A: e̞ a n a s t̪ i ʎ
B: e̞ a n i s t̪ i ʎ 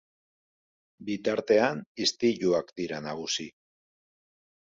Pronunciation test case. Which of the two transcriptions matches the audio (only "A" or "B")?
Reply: B